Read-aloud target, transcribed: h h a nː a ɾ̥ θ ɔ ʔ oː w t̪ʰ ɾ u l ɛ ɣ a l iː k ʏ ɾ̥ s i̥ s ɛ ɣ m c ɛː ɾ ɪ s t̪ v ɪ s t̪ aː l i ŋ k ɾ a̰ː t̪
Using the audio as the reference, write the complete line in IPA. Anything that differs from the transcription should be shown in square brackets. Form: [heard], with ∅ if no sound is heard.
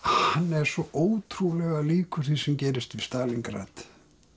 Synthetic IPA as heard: h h a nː [ɛ] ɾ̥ [s] ɔ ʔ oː w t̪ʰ ɾ u l ɛ ɣ a l iː k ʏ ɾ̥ [θ] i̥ s ɛ [∅] m c ɛː ɾ ɪ s t̪ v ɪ s t̪ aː l i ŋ k ɾ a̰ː t̪